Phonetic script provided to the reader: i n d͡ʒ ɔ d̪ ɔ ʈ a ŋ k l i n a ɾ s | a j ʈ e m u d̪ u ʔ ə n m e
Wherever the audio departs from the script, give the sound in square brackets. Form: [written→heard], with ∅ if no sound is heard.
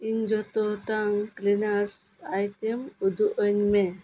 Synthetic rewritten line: i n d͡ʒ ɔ [d̪→t̪] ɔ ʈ a ŋ k l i n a ɾ s | a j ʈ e m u d̪ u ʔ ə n m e